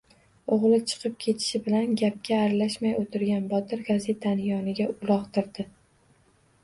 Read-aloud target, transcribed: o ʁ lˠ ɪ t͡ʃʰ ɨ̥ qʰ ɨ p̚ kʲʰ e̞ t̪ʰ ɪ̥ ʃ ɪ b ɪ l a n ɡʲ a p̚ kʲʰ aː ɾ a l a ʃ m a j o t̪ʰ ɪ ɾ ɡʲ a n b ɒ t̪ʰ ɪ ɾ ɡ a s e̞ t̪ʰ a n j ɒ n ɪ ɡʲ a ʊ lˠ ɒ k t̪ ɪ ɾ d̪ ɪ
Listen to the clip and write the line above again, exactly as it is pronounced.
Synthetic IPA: o ʁ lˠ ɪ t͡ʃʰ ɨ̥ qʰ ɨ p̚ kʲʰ e̞ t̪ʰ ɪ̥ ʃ ɪ b ɪ l a n ɡʲ a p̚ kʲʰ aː ɾ a l a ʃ m a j o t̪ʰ ɪ ɾ ɡʲ a n b ɒ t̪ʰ ɪ ɾ ɡ a z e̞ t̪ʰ a n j ɒ n ɪ ɡʲ a ʊ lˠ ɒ q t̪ ɪ ɾ d̪ ɪ